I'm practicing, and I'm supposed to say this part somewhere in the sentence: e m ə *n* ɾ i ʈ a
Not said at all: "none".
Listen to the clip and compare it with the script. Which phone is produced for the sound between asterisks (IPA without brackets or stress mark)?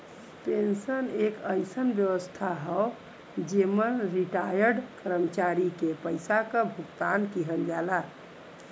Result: n